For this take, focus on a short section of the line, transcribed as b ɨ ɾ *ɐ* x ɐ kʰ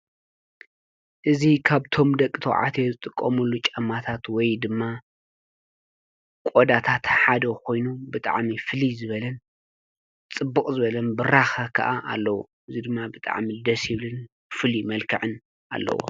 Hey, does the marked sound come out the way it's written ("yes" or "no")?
no